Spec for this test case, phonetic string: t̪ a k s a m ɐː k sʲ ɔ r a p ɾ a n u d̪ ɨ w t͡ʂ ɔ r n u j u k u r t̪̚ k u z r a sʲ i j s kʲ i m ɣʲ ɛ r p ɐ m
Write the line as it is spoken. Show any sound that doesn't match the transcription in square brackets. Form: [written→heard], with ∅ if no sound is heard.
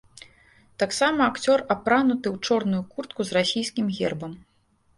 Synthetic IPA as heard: t̪ a k s a m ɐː k [sʲ→t͡sʲ] ɔ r a p ɾ a n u [d̪→t̪] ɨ w t͡ʂ ɔ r n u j u k u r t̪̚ k u z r a sʲ i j s kʲ i m ɣʲ ɛ r [p→b] ɐ m

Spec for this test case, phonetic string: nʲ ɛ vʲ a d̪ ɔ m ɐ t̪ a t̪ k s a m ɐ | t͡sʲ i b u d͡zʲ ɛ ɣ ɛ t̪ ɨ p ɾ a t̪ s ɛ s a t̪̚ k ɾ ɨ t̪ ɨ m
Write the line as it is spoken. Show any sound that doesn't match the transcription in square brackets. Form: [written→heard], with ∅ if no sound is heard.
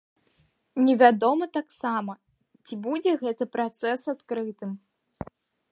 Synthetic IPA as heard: nʲ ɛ vʲ a d̪ ɔ m ɐ t̪ a [t̪→∅] k s a m ɐ | t͡sʲ i b u d͡zʲ ɛ ɣ ɛ t̪ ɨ p ɾ a t̪ s ɛ s a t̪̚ k ɾ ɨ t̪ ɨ m

